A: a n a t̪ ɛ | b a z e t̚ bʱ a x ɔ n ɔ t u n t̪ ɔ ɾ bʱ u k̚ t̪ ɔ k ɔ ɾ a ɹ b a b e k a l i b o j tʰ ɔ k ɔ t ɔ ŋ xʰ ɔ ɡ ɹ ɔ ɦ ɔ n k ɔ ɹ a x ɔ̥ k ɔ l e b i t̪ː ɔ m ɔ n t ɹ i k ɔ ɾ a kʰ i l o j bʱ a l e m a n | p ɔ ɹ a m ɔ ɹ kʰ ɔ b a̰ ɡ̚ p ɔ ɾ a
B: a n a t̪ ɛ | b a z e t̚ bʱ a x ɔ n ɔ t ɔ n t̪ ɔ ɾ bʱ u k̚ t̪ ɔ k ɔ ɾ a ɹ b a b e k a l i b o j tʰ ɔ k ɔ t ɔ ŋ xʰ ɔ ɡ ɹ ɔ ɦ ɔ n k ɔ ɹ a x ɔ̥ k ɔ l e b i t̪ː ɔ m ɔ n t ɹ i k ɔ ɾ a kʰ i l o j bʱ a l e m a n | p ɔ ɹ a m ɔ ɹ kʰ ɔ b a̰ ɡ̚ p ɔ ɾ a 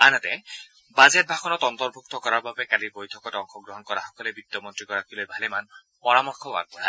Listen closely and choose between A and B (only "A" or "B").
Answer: B